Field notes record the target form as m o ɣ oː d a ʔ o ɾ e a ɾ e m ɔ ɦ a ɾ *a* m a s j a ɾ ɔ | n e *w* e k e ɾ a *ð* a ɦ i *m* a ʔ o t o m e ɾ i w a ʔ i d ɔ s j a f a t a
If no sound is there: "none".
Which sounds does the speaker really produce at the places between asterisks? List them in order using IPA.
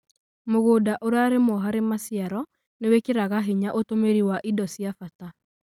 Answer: e, w, ɣ, ɲ

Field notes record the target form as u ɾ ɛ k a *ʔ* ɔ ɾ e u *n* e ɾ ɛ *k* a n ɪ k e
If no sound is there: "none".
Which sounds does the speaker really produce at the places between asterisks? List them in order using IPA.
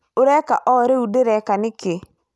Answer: ʔ, d, k

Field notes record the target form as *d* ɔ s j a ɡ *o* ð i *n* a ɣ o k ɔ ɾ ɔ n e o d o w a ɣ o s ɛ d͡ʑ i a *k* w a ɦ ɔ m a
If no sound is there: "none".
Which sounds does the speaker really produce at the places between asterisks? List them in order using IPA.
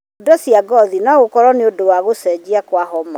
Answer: d, ɔ, n, k

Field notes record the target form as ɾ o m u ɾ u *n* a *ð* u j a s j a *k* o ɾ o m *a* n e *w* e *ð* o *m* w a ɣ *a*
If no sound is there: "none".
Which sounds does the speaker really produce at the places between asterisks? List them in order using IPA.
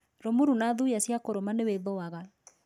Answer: n, ð, k, a, w, ð, none, a

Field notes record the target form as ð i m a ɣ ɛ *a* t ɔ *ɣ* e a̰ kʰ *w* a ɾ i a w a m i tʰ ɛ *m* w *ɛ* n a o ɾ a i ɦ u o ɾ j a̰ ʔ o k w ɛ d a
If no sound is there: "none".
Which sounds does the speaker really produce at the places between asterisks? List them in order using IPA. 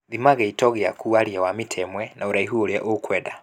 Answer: i, ɣ, u, m, ɛ

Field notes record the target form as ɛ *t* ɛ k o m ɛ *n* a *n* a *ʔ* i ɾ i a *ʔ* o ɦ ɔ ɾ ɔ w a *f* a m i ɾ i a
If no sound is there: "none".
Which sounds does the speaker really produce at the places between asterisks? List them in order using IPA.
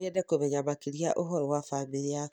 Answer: d, ɲ, m, k, ʔ, f

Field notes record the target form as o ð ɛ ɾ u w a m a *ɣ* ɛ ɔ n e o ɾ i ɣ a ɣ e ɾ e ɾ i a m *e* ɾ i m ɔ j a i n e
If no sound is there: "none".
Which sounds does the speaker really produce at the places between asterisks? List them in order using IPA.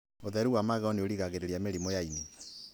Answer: ɣ, e

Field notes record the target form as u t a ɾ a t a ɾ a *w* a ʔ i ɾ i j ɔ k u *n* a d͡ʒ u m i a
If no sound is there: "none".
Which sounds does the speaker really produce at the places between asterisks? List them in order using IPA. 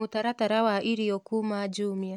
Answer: w, m

